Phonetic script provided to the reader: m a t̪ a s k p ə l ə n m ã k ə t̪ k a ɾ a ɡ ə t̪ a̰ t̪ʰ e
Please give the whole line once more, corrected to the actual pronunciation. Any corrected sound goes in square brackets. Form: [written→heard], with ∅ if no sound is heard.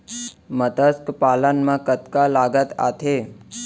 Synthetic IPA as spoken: m [a→ə] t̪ [a→ə] s k p [ə→a] l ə n m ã k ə t̪ k a [ɾ→l] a ɡ ə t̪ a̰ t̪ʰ e

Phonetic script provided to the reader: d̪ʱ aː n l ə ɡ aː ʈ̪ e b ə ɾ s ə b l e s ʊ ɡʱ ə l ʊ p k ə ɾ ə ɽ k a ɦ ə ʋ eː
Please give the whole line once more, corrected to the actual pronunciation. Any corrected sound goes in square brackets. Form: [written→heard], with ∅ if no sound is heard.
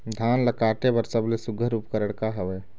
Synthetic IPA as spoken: d̪ʱ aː n l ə [ɡ→k] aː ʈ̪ e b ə ɾ s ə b l e s ʊ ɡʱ ə [l→ɾ] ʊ p k ə ɾ ə ɽ k a ɦ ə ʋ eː

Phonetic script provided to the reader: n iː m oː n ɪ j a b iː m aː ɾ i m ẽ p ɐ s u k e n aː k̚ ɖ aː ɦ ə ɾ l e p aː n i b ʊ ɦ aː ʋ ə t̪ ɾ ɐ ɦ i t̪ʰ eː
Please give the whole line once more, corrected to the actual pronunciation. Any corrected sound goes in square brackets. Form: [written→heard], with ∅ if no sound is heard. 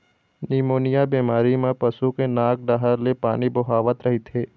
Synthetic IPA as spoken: n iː m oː n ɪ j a b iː m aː ɾ i m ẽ p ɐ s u k e n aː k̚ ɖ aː ɦ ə ɾ l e p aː n i b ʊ ɦ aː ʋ ə t̪ ɾ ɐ ɦ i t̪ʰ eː

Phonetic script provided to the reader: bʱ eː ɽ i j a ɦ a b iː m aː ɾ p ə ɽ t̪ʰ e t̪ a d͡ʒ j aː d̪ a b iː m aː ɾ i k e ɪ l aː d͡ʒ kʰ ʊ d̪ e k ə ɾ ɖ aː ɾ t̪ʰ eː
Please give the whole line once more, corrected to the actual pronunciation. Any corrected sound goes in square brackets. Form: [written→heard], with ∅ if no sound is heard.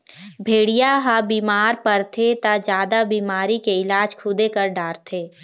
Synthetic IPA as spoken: bʱ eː ɽ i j a ɦ a b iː m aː ɾ p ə [ɽ→ɾ] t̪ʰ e t̪ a d͡ʒ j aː d̪ a b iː m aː ɾ i k e ɪ l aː d͡ʒ kʰ ʊ d̪ e k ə ɾ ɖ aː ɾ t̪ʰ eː

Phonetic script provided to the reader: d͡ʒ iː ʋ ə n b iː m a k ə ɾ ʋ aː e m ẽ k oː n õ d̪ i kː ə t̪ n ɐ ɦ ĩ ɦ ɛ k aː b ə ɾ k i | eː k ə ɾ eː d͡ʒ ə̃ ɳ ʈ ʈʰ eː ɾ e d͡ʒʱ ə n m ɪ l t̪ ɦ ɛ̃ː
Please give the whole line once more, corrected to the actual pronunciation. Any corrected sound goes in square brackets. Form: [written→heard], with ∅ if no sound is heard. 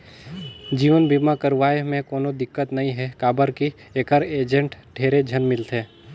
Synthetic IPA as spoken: d͡ʒ iː ʋ ə n b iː m a k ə ɾ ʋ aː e m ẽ k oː n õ d̪ [i→ɪ] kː ə t̪ n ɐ ɦ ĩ ɦ ɛ k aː b ə ɾ k i | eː k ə ɾ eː d͡ʒ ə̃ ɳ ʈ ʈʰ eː ɾ e d͡ʒʱ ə n m ɪ l t̪ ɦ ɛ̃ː

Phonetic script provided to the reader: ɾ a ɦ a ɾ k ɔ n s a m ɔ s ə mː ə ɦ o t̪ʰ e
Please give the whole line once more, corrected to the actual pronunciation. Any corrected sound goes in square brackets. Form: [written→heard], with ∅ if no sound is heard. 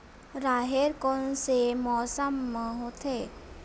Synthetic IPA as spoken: ɾ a ɦ [a→e] ɾ k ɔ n s [a→e] m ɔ s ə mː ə ɦ o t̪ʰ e

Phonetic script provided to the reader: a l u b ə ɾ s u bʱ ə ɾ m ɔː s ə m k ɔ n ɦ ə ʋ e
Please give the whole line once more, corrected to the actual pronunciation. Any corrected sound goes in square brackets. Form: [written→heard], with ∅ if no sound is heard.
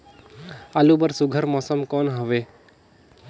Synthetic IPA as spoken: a l u b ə ɾ s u [bʱ→ɡʱ] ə ɾ m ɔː s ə m k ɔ n ɦ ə ʋ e

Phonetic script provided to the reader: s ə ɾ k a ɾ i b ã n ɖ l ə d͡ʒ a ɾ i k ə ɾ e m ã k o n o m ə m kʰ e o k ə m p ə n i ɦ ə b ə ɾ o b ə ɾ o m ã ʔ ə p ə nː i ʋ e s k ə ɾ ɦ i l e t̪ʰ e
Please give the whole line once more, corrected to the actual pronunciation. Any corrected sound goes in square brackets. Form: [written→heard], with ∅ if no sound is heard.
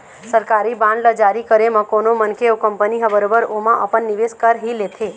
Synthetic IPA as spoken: s ə ɾ k a ɾ i b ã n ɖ l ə d͡ʒ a ɾ i k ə ɾ e m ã k o n o m ə [m→n] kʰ e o k ə m p ə n i ɦ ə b ə ɾ o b ə ɾ o m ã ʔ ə p ə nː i ʋ e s k ə ɾ ɦ i l e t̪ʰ e

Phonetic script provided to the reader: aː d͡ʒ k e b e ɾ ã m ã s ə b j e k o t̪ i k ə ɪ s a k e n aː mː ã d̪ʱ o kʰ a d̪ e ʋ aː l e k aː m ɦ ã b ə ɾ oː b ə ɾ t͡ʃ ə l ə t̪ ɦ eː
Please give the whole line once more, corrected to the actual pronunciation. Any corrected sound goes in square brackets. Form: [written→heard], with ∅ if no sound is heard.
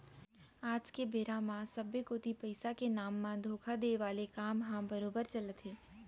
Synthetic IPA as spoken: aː d͡ʒ k e b e ɾ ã m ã s ə b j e k o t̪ i [k→p] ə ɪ s a k e n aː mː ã d̪ʱ o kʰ a d̪ e ʋ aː l e k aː m ɦ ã b ə ɾ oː b ə ɾ t͡ʃ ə l ə t̪ ɦ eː

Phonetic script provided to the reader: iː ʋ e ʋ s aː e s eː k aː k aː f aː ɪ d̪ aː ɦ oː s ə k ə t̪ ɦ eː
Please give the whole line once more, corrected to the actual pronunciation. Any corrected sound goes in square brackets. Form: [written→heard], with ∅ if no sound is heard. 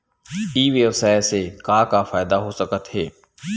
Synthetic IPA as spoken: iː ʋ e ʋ s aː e s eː k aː k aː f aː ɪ d̪ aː ɦ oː s ə k ə t̪ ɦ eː

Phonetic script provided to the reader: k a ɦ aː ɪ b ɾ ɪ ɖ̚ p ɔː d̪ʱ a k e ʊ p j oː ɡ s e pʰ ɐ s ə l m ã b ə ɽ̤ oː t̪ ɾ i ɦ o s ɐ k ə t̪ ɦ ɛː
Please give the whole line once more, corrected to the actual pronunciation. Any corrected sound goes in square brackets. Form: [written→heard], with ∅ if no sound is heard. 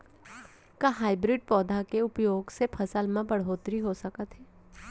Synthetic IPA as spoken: k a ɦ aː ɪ b ɾ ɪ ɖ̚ p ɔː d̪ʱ a k e ʊ p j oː ɡ s e pʰ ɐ s ə l m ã b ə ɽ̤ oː t̪ ɾ i ɦ o s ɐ k ə t̪ ɦ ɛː

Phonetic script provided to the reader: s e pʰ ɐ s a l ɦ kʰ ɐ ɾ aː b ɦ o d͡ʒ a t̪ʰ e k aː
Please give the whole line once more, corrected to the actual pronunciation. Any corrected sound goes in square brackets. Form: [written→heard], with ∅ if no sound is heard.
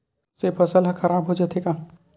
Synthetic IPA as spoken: s e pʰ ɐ s [a→ə] l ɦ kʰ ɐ ɾ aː b ɦ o d͡ʒ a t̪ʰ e k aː

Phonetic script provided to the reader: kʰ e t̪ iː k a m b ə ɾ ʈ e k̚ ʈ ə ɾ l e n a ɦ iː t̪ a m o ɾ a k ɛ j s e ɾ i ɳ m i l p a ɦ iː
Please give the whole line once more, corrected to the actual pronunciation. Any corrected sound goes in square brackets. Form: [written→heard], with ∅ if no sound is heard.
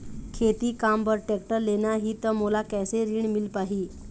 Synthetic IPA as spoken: kʰ e t̪ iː k a m b ə ɾ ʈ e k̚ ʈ ə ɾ l e n a ɦ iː t̪ [a→ə] m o [ɾ→l] a k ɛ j s e ɾ i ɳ m i l p a ɦ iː

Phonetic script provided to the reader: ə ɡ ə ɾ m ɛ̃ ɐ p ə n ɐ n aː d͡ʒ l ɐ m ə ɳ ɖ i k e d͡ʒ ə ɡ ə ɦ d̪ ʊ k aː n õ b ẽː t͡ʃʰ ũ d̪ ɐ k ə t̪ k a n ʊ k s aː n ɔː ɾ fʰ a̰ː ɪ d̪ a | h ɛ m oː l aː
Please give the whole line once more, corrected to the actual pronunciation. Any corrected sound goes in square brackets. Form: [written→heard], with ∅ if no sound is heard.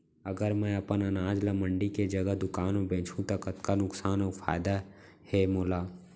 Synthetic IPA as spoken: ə ɡ ə ɾ m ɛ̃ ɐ p ə n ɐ n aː d͡ʒ l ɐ m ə ɳ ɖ i k e d͡ʒ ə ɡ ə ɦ d̪ ʊ k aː n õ b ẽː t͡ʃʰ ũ [d̪→t̪] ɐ k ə t̪ k a n ʊ k s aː n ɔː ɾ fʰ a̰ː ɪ d̪ a | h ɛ m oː l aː

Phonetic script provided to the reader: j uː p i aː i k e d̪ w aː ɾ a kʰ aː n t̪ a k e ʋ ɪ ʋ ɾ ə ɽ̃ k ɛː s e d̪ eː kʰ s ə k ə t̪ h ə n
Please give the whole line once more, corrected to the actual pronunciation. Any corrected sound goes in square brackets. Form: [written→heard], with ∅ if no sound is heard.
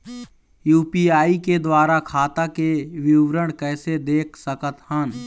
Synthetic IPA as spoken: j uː p i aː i k e d̪ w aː ɾ a kʰ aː [n→∅] t̪ a k e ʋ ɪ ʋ ɾ ə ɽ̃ k ɛː s e d̪ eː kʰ s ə k ə t̪ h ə n

